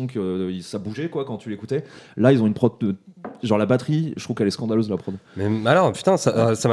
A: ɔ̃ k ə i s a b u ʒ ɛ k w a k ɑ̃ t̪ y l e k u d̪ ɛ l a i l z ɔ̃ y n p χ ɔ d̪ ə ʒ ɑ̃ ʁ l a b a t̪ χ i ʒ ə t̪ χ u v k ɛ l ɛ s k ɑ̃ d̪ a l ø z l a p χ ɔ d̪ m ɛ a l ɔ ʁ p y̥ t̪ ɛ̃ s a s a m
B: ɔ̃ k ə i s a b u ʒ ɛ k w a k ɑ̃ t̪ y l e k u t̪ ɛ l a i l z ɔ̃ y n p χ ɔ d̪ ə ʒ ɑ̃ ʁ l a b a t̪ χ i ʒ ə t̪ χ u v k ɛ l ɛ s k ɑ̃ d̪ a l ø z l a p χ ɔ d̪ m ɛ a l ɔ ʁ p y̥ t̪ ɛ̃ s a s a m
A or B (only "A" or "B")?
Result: B